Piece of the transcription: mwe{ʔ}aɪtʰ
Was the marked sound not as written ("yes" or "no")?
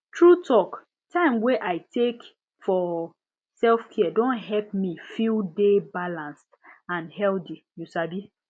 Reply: no